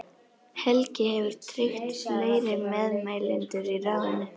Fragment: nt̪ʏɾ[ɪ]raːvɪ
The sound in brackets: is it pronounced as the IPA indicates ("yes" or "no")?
no